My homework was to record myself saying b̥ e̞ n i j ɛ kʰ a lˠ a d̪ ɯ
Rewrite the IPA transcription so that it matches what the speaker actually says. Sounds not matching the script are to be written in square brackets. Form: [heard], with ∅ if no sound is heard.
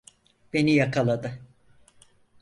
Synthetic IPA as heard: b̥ e̞ n i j [a] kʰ a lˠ a d̪ ɯ